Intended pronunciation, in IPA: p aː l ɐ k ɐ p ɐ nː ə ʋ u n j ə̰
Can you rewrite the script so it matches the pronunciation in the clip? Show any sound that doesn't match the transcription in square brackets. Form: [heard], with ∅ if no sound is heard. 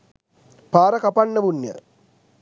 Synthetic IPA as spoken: p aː [ɾ] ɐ k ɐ p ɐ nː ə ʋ u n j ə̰

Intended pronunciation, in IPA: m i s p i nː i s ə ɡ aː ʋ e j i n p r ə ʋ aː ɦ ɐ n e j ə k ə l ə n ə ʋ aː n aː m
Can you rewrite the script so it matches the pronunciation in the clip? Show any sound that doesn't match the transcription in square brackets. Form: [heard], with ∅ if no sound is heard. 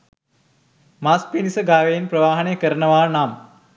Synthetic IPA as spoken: m [a] s p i [n] i s ə ɡ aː ʋ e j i n p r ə ʋ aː ɦ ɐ n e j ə k ə [ɾ] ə n ə ʋ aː n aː m

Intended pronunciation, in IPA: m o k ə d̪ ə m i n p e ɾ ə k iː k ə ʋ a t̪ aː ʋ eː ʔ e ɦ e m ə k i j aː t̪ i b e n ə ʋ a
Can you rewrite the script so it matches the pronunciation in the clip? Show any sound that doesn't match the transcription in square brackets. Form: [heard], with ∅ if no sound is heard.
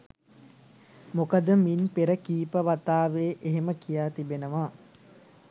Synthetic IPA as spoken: m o k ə d̪ ə m i n p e ɾ ə k iː [p] ə ʋ a t̪ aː ʋ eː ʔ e ɦ e m ə k i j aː t̪ i b e n ə ʋ a

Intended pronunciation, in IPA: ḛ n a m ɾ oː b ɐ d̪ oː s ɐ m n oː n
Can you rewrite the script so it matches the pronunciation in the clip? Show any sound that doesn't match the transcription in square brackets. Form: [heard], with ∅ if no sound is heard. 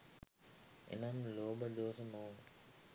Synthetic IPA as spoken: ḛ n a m [l] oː b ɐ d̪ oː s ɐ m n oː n

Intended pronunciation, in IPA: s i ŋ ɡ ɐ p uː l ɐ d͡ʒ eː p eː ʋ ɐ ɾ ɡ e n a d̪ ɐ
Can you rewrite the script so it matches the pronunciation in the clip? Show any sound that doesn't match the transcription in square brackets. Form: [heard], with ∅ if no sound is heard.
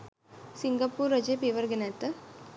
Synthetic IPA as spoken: s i ŋ ɡ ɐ p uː [ɾ] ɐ d͡ʒ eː p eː ʋ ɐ ɾ ɡ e n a [t̪] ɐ

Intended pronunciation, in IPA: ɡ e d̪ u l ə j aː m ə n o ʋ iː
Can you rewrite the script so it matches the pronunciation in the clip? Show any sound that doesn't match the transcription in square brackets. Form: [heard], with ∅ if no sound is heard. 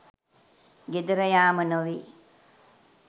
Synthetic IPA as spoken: ɡ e d̪ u [ɾ] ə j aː m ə n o ʋ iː

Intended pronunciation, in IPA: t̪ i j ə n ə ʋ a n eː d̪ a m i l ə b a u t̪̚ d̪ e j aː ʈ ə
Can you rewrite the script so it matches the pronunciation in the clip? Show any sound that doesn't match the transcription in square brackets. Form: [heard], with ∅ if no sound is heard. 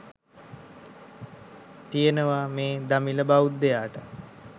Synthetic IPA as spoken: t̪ i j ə n ə ʋ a [m] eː d̪ a m i l ə b a u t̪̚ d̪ e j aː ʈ ə

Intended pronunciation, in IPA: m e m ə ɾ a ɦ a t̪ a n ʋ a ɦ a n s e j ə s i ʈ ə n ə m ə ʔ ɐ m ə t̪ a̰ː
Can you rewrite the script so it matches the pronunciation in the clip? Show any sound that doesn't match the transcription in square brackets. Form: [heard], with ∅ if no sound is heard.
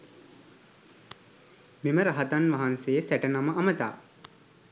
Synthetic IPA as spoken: m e m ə ɾ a ɦ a t̪ a n ʋ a ɦ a n s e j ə s [æ] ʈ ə n [a] m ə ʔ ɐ m ə t̪ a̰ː

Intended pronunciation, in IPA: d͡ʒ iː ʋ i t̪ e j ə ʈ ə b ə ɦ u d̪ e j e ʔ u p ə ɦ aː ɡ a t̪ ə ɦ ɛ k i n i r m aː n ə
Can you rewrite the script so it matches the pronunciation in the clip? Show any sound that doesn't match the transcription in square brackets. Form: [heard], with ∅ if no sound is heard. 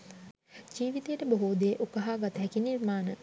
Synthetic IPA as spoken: d͡ʒ iː ʋ i t̪ e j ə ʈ ə b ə ɦ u d̪ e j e ʔ u [k] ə ɦ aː ɡ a t̪ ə ɦ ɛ k i n i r m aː n ə

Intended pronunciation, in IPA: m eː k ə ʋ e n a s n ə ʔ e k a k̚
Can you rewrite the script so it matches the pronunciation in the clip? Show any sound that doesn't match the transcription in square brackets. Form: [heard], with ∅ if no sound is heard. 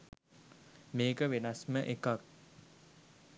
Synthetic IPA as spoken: m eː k ə ʋ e n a s [m] ə ʔ e k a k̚

